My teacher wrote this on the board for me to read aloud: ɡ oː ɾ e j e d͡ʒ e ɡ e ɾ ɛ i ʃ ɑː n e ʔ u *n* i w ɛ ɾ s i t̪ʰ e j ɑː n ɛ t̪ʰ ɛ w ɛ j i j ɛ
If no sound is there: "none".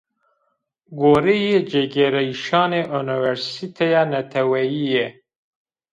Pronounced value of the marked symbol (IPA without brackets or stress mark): n